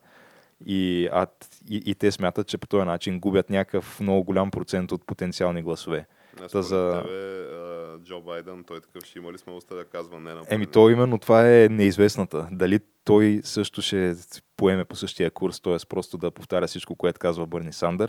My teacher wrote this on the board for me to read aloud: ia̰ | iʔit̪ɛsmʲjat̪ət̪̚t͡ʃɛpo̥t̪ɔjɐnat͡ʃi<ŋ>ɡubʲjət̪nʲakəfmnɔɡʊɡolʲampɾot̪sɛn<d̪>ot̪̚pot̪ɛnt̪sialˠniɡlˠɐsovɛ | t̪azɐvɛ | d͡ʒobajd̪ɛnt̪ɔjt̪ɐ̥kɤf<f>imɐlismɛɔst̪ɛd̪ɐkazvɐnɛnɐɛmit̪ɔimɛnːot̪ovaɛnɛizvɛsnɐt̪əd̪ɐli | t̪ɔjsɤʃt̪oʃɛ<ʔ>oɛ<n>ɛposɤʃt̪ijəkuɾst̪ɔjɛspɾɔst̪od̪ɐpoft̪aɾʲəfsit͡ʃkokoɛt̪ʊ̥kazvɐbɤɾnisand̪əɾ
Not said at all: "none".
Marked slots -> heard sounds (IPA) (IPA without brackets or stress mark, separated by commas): n, t̪, ʃ, p, m